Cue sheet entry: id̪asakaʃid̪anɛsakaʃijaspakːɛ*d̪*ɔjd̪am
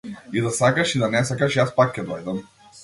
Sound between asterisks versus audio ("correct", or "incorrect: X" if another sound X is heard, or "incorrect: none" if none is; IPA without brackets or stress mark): correct